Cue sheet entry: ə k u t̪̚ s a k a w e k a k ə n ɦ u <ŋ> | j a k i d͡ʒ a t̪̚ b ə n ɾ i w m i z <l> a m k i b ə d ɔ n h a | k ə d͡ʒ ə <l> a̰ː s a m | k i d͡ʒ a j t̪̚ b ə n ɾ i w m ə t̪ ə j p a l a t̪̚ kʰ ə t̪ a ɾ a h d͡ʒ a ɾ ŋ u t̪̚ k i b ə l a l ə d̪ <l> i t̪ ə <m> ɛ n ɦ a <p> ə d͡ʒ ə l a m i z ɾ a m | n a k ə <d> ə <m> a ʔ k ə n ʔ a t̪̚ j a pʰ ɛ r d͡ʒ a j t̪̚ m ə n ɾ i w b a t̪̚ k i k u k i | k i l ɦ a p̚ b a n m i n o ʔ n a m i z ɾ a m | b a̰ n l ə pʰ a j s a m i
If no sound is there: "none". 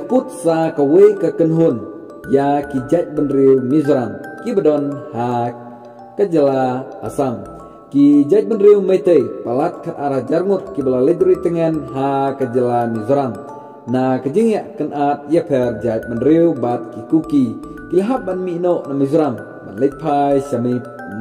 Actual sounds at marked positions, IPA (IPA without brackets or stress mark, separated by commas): n, ɾ, l, ɾ, ŋ, k, d͡ʒ, ŋ